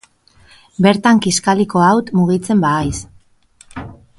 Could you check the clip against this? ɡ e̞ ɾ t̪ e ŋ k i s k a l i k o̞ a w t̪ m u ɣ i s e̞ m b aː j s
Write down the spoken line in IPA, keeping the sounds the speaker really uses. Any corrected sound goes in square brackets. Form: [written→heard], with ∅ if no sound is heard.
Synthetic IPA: [ɡ→b] e̞ ɾ t̪ [e→a] ŋ k i s k a l i k o̞ a w t̪ m u ɣ i [s→t͡s] e̞ m b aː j s